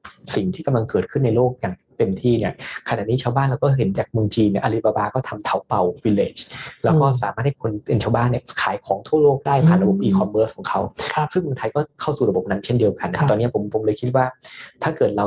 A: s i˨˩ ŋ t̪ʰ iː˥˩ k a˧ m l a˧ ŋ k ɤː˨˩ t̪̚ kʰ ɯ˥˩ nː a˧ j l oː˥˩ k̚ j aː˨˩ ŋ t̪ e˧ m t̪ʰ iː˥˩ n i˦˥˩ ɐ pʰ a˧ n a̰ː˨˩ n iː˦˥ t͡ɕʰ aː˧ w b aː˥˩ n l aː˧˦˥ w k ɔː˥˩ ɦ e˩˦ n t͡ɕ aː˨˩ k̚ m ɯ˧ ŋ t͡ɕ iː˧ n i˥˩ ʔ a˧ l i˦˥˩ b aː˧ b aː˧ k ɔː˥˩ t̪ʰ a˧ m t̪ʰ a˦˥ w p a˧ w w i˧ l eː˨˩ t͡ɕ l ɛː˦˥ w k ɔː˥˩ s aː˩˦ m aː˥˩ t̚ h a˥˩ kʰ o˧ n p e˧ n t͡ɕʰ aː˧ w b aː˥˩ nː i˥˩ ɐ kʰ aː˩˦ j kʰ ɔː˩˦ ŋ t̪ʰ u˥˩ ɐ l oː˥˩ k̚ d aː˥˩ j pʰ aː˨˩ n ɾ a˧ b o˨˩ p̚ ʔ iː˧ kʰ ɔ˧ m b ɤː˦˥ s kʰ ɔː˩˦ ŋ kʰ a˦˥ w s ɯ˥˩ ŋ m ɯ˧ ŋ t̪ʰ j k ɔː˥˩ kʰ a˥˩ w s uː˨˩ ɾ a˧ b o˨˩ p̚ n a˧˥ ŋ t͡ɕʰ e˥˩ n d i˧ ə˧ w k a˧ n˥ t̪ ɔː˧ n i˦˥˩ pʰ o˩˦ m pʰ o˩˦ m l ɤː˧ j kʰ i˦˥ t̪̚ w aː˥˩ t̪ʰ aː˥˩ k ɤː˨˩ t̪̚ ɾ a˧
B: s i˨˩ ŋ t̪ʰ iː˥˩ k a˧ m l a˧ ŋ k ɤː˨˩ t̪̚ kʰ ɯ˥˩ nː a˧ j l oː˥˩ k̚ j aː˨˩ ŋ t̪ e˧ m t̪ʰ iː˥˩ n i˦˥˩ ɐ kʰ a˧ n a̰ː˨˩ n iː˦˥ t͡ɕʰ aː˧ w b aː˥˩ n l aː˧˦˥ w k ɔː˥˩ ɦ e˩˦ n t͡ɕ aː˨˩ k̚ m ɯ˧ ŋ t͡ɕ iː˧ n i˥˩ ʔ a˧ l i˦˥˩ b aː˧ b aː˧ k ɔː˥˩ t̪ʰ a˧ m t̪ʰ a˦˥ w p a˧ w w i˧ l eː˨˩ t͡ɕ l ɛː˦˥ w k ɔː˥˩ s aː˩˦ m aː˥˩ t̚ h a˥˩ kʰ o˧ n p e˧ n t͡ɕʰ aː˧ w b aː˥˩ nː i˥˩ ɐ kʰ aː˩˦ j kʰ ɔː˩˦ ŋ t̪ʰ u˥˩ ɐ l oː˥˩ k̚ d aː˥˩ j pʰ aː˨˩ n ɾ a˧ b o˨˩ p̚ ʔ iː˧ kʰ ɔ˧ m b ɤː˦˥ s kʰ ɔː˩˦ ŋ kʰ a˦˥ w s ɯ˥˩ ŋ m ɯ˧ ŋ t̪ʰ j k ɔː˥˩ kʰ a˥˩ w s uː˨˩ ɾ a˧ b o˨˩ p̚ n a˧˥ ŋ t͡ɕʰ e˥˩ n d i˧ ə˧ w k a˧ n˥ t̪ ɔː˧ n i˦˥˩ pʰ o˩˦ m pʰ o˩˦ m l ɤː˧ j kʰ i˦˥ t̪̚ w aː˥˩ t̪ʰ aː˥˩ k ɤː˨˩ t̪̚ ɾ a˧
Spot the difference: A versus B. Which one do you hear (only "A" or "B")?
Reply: B